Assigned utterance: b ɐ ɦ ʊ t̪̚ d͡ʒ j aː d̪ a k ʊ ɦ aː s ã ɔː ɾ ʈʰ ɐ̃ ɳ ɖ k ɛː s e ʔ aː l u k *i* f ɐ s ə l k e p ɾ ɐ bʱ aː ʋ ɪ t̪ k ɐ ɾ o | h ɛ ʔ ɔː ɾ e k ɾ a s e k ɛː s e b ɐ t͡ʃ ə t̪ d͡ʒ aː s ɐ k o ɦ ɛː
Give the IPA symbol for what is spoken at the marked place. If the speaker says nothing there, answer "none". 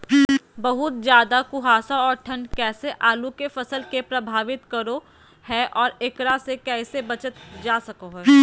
e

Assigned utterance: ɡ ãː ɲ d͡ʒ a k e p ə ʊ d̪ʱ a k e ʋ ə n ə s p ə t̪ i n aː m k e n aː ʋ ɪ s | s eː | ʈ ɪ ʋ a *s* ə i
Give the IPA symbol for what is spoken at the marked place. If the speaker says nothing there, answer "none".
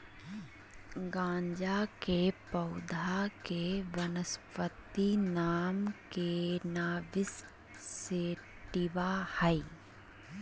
h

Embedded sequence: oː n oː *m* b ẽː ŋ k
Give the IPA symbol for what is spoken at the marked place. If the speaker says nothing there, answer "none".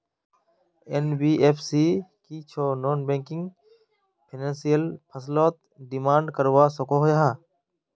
n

